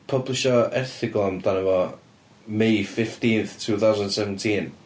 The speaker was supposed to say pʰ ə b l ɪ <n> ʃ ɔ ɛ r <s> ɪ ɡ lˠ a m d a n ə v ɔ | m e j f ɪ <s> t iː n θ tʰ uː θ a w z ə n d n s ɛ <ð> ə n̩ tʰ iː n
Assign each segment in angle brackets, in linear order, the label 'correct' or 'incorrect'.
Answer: incorrect: none, incorrect: θ, incorrect: f, incorrect: v

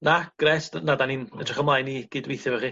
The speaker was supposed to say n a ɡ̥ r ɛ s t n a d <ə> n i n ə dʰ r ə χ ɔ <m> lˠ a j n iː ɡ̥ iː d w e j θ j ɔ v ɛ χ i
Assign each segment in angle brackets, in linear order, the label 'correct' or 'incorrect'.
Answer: incorrect: a, correct

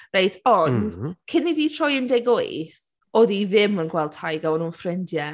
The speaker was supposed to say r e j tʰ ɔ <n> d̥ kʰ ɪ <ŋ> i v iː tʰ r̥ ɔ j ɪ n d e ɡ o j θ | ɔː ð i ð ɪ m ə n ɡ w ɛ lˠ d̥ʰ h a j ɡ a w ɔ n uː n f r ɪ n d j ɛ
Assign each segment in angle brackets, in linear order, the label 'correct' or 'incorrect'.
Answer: correct, incorrect: n

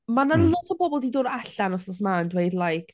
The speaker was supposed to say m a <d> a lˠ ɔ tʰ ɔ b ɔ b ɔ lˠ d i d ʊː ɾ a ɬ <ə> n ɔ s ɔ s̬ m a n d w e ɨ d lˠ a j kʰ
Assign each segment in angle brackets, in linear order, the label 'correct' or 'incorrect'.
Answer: incorrect: n, incorrect: a

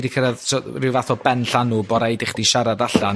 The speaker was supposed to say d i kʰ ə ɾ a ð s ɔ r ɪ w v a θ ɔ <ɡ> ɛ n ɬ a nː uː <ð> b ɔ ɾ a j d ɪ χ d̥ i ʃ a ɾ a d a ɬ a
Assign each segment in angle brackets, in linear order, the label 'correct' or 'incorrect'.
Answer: incorrect: b, incorrect: none

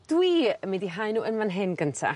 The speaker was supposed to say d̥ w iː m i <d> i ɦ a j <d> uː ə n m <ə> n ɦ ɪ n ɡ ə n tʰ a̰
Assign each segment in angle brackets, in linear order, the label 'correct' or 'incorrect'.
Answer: correct, incorrect: n, incorrect: a

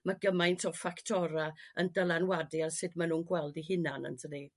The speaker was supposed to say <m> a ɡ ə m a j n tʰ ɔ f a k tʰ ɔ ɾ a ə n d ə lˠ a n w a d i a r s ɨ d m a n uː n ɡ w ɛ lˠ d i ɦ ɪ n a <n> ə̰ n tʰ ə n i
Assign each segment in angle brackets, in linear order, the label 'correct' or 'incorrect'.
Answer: correct, correct

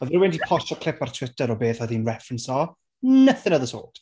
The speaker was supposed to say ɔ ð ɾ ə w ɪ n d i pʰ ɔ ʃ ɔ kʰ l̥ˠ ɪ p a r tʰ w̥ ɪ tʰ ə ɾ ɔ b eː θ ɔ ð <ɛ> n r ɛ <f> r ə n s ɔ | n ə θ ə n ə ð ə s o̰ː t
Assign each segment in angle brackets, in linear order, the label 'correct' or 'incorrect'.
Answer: incorrect: i, correct

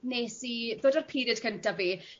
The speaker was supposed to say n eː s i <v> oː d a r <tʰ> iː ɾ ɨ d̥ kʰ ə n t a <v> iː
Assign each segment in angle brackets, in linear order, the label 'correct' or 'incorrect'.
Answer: incorrect: ð, incorrect: pʰ, correct

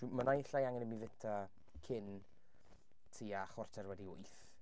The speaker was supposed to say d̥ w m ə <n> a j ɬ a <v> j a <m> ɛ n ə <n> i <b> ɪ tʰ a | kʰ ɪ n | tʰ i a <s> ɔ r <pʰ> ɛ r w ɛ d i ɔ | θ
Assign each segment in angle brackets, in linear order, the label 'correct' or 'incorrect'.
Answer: correct, incorrect: none, incorrect: ŋ, incorrect: m, incorrect: v, incorrect: χ, incorrect: tʰ

